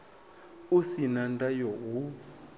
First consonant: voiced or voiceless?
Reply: voiceless